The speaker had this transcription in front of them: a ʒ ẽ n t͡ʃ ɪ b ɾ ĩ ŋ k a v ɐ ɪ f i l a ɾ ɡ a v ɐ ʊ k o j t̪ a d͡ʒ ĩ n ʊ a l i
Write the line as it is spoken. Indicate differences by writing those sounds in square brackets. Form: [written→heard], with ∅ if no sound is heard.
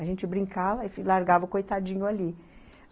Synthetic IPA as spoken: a ʒ ẽ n t͡ʃ ɪ b ɾ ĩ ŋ k a v ɐ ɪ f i l a ɾ ɡ a v ɐ ʊ k o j t̪ a d͡ʒ ĩ [n→ɲ] ʊ a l i